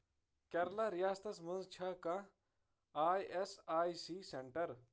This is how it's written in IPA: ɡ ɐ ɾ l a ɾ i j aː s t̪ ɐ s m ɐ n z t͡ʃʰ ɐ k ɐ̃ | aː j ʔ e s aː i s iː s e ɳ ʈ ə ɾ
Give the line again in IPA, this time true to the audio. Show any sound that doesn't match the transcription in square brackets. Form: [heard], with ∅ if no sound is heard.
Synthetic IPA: [k] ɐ ɾ l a ɾ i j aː s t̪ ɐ s m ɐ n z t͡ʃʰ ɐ k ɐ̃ | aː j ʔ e s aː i s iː s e ɳ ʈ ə ɾ

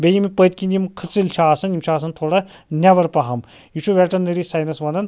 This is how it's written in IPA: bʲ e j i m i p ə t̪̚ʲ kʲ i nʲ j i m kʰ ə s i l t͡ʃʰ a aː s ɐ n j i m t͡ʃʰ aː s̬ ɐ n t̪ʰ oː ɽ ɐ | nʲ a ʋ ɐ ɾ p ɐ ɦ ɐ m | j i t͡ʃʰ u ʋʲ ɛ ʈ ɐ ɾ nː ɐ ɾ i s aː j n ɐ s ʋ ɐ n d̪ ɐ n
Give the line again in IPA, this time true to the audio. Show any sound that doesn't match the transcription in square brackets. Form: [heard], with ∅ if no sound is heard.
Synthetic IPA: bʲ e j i m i p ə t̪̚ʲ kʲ i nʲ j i m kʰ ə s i l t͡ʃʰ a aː s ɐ n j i m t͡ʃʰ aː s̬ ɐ n t̪ʰ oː ɽ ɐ | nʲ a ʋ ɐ ɾ p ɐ ɦ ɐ m | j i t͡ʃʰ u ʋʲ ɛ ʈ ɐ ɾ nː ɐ ɾ i s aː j n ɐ s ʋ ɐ n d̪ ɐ n

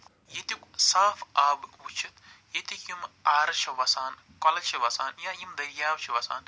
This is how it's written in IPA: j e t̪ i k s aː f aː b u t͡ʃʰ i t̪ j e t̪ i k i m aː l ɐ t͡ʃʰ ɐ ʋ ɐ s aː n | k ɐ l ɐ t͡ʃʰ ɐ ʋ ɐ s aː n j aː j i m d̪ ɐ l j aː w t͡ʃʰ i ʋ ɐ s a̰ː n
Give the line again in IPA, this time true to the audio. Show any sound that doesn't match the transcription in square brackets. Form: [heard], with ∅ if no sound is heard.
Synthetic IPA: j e t̪ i k s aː f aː b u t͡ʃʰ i t̪ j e t̪ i k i m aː [ɾ] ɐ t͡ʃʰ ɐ ʋ ɐ s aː n | k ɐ l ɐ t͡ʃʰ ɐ ʋ ɐ s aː n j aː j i m d̪ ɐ [ɾ] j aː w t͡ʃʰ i ʋ ɐ s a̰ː n

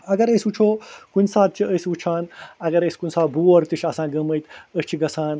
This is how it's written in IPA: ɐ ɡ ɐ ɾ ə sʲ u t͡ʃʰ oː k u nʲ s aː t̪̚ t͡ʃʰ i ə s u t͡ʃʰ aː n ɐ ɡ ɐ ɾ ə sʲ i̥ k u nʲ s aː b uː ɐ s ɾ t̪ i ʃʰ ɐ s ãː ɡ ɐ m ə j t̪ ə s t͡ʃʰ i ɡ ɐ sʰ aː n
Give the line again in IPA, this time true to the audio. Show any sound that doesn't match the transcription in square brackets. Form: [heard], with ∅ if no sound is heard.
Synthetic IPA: ɐ ɡ ɐ ɾ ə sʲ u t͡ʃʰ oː k u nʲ s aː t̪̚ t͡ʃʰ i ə s u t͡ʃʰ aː n ɐ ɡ ɐ ɾ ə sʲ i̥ k u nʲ s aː b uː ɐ [∅] ɾ t̪ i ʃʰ ɐ s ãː ɡ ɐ m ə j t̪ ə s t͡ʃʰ i ɡ ɐ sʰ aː n

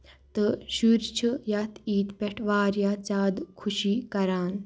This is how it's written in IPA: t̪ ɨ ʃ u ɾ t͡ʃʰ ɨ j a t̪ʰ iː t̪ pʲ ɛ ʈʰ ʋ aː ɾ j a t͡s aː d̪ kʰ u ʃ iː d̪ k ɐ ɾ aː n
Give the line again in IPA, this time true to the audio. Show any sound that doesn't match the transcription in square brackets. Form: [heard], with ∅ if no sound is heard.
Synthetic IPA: t̪ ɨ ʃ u ɾ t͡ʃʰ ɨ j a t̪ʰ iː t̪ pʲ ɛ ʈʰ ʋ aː ɾ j a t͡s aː d̪ kʰ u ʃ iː [∅] k ɐ ɾ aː n

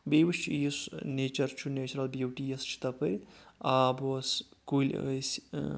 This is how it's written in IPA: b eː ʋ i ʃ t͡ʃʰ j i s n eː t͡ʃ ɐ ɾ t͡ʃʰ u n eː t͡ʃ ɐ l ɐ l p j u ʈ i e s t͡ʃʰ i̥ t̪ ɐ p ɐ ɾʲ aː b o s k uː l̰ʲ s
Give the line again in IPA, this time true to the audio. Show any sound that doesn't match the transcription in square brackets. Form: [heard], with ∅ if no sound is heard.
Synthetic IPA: b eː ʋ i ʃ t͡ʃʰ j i s n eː t͡ʃ ɐ ɾ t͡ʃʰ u n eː t͡ʃ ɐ [ɾ] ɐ l [b] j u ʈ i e s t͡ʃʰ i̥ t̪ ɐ p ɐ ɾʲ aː b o s k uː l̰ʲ s

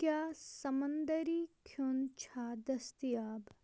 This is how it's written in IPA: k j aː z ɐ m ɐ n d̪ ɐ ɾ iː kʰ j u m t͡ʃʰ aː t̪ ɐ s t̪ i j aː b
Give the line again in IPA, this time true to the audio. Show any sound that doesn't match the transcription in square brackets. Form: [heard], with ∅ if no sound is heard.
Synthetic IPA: k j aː [s] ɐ m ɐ n d̪ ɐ ɾ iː kʰ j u [n] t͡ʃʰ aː [d̪] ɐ s t̪ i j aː b

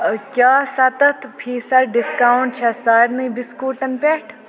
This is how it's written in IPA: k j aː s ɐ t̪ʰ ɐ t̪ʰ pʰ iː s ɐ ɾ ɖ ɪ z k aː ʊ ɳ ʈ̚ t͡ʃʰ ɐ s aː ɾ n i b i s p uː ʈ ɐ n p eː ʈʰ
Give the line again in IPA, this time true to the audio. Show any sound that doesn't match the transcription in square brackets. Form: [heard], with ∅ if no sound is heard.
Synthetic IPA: k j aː s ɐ [t̪] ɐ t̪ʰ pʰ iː s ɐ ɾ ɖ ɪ [s] k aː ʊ ɳ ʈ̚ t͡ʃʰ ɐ s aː ɾ n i b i s [k] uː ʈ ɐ n p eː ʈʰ

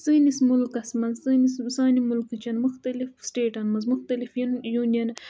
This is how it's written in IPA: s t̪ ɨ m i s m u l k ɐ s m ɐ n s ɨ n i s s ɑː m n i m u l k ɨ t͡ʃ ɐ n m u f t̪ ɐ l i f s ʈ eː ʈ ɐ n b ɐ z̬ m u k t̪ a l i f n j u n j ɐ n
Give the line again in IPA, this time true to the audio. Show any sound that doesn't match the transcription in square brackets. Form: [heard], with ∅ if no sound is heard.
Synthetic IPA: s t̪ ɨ [n] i s m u l k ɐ s m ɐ n s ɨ n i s s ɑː [∅] n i m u l k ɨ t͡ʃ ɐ n m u [x] t̪ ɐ l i f s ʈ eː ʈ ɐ n [m] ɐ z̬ m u [x] t̪ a l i f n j u n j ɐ n

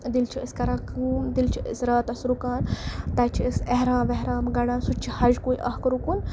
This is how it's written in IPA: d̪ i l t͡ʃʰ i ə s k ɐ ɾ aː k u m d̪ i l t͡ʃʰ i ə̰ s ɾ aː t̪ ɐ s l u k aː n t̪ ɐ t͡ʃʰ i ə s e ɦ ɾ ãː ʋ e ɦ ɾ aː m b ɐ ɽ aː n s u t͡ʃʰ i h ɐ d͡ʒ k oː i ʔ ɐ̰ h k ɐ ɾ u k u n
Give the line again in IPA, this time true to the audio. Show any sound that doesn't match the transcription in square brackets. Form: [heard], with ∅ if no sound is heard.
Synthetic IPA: d̪ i l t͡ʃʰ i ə s k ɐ ɾ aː k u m d̪ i l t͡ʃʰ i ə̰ s ɾ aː t̪ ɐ s [ɾ] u k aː n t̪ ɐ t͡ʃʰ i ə s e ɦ ɾ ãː ʋ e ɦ ɾ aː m [ɡ] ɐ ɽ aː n s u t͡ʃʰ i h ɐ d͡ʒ k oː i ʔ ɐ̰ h k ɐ ɾ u k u n

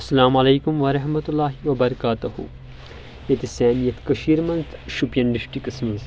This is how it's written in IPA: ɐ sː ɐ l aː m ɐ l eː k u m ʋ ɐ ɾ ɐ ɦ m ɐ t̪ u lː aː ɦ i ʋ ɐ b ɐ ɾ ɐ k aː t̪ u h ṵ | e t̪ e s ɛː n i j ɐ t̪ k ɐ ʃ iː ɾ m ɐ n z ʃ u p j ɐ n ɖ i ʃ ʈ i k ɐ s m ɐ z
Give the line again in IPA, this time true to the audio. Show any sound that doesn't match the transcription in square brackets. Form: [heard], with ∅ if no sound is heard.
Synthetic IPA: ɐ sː ɐ l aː m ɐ l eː k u m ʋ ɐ ɾ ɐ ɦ m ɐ t̪ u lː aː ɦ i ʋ ɐ b ɐ ɾ ɐ k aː t̪ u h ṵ | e t̪ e s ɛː n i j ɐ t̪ k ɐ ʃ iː ɾ m ɐ n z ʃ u p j ɐ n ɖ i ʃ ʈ i k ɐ s m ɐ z

